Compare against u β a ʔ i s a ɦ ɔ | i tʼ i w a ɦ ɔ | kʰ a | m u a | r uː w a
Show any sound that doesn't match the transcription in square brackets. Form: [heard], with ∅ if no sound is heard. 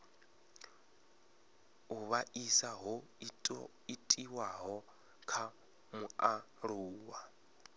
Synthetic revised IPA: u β a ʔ i s a ɦ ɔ | i tʼ i w a ɦ ɔ | kʰ a | m u a | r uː w a